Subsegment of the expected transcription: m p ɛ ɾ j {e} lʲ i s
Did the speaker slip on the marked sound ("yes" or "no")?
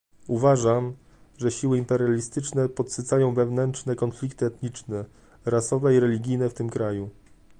yes